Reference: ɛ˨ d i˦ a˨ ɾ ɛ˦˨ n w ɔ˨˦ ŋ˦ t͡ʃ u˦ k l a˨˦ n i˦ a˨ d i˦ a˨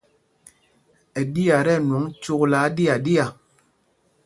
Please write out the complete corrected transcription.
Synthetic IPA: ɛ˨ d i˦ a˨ ɾ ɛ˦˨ n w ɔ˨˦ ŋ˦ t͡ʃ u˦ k l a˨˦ d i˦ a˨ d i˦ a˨